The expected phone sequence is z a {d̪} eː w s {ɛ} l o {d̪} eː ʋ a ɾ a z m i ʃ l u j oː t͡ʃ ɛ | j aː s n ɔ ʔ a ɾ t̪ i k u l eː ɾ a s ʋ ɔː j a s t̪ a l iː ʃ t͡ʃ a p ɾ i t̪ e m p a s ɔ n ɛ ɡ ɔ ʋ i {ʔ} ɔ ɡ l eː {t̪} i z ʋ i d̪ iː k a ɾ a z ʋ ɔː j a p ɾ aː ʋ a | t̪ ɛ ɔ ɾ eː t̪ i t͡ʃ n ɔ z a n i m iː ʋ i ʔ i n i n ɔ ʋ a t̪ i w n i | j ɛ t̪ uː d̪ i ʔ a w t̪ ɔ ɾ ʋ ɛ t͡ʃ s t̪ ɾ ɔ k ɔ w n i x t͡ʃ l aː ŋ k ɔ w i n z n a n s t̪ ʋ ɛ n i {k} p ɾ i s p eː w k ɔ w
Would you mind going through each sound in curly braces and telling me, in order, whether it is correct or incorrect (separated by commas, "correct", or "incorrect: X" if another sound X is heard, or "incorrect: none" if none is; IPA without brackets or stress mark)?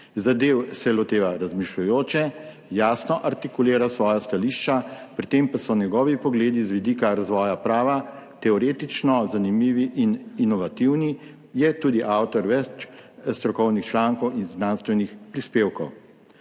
correct, correct, incorrect: t̪, incorrect: p, incorrect: d̪, incorrect: x